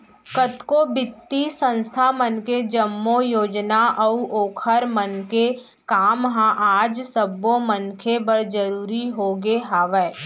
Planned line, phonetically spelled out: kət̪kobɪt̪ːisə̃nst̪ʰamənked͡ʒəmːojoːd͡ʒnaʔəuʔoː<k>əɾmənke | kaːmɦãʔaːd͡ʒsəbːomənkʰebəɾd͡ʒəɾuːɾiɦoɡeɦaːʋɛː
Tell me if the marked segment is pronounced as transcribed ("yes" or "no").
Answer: no